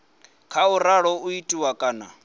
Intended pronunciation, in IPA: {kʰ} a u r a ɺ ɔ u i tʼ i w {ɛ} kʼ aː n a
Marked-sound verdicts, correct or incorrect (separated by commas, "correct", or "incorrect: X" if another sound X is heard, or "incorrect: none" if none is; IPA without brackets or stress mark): correct, incorrect: a